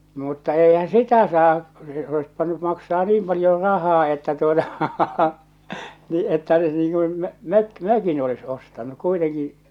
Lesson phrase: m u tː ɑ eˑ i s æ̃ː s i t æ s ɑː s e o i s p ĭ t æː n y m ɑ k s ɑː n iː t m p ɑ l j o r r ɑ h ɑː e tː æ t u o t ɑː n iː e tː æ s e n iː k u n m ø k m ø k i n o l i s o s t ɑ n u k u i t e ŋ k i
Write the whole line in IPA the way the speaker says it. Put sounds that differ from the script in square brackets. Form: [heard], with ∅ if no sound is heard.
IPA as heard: m u tː ɑ eˑ i [h] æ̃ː s i t æ s ɑː s e o i s p ĭ t [æ] n y m ɑ k s ɑː n iː [∅] m p ɑ l j o r r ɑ h ɑː e tː æ t u o t [ɑ] n iː e tː æ s e n iː k u n m ø k m ø k i n o l i s o s t ɑ n u k u i t e ŋ k i